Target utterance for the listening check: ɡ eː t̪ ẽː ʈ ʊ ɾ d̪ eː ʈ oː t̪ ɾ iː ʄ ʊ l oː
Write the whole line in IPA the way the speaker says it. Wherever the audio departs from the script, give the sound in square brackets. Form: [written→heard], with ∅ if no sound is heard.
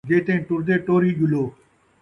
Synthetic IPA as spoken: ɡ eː t̪ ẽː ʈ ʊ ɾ d̪ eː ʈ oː [t̪→∅] ɾ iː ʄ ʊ l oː